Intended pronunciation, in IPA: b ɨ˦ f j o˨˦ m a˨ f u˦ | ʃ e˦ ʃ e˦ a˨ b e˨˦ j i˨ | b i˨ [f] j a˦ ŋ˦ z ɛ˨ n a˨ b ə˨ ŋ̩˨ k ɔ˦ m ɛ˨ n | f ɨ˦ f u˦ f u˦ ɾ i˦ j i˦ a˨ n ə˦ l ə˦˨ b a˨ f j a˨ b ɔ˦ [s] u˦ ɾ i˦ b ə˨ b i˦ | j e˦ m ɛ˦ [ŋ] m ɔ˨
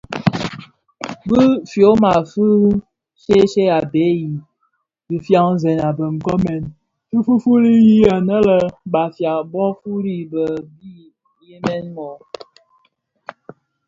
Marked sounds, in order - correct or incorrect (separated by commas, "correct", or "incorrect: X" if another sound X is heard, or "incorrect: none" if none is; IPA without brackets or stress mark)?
correct, incorrect: f, incorrect: n